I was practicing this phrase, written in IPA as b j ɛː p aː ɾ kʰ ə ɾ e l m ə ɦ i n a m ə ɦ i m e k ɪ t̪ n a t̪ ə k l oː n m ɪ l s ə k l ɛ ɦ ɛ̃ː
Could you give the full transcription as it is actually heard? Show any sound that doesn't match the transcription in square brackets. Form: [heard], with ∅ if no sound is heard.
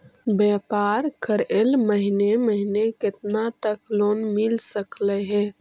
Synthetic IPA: b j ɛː p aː ɾ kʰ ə ɾ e l m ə ɦ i n [e] m ə ɦ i [n] e k ɪ t̪ n a t̪ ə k l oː n m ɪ l s ə k l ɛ ɦ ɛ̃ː